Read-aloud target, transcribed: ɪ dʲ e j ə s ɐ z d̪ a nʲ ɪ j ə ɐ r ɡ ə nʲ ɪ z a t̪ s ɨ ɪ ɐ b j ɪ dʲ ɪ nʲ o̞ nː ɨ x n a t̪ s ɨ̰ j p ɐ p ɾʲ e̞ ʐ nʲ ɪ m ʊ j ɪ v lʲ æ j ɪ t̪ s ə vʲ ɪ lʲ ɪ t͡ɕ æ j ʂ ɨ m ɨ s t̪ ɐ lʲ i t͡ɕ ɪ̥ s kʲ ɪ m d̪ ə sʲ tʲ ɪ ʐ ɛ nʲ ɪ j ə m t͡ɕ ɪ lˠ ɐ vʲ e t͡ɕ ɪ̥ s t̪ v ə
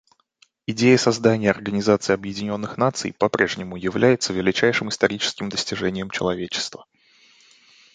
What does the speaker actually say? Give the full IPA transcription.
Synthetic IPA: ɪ dʲ e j ə s ɐ z d̪ a nʲ ɪ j ə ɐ r ɡ ə nʲ ɪ z a t̪ s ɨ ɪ ɐ b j ɪ dʲ ɪ nʲ o̞ nː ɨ x n a t̪ s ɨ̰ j p ɐ p ɾʲ e̞ ʐ nʲ ɪ m ʊ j ɪ v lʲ æ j ɪ t̪ s ə vʲ ɪ lʲ ɪ t͡ɕ æ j ʂ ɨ m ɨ s t̪ ɐ ɾʲ i t͡ɕ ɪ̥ s kʲ ɪ m d̪ ə sʲ tʲ ɪ ʐ ɛ nʲ ɪ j ə m t͡ɕ ɪ lˠ ɐ vʲ e t͡ɕ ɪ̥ s t̪ v ə

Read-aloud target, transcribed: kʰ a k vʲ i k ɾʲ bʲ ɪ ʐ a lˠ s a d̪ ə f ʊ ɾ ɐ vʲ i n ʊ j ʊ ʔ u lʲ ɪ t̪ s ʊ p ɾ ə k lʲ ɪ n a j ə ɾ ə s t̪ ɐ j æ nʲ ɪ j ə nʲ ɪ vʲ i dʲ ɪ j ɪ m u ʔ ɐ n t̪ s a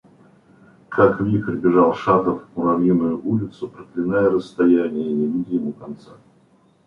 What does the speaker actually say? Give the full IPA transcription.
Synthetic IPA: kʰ a k vʲ i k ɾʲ bʲ ɪ ʐ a lˠ ʂ a t̪ ə f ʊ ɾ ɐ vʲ i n ʊ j ʊ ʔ u lʲ ɪ t̪ s ʊ p ɾ ə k lʲ ɪ n a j ə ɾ ə s t̪ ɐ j æ nʲ ɪ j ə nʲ ɪ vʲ i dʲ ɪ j ɪ m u k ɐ n t̪ s a

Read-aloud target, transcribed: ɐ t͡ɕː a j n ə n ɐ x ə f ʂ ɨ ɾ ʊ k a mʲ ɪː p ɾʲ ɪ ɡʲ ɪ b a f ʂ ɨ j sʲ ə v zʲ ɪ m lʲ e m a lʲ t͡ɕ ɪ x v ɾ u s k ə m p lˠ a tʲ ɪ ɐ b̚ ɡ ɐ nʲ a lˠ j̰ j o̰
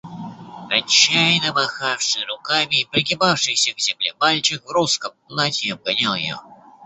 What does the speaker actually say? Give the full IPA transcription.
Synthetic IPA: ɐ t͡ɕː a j n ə m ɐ x a f ʂ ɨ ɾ ʊ k a mʲ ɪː p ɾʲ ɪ ɡʲ ɪ b a f ʂ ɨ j sʲ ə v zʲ ɪ m lʲ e m a lʲ t͡ɕ ɪ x v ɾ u s k ə m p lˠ a tʲ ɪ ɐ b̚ ɡ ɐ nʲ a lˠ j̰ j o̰

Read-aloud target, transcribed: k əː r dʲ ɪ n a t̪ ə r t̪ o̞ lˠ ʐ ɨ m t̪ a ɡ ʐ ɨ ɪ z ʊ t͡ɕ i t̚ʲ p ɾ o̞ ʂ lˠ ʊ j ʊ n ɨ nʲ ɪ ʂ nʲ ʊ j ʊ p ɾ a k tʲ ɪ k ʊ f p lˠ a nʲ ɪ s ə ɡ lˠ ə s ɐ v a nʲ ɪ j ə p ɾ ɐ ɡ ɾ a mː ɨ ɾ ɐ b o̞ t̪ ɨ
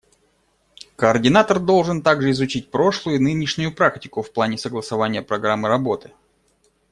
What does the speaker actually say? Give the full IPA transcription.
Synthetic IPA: k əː r dʲ ɪ n a t̪ ə r d̪ o̞ lˠ ʐ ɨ n t̪ a ɡ ʐ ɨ ɪ z ʊ t͡ɕ i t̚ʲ p ɾ o̞ ʂ lˠ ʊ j ʊ n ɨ nʲ ɪ ʂ nʲ ʊ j ʊ p ɾ a k tʲ ɪ k ʊ f p lˠ a nʲ ɪ s ə ɡ lˠ ə s ɐ v a nʲ ɪ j ə p ɾ ɐ ɡ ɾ a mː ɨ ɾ ɐ b o̞ t̪ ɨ

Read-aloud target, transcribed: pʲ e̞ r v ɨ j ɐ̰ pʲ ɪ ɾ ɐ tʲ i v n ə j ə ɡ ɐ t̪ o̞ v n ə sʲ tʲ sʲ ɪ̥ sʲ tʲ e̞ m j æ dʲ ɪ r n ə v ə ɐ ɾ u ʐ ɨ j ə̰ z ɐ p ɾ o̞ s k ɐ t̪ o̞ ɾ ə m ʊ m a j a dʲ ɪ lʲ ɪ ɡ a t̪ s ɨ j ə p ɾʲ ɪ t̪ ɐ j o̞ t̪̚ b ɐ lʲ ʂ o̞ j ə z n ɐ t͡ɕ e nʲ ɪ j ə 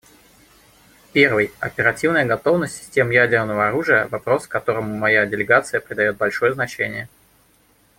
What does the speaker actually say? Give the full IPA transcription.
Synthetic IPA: pʲ e̞ r v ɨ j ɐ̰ pʲ ɪ ɾ ɐ tʲ i v n ə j ə ɡ ɐ t̪ o̞ v n ə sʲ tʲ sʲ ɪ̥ sʲ tʲ e̞ m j æ dʲ ɪ r n ə v ə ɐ ɾ u ʐ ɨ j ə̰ v ɐ p ɾ o̞ s k ɐ t̪ o̞ ɾ ə m ʊ m ɐ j a dʲ ɪ lʲ ɪ ɡ a t̪ s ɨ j ə p ɾʲ ɪ d̪ ɐ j o̞ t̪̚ b ɐ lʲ ʂ o̞ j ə z n ɐ t͡ɕ e nʲ ɪ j ə

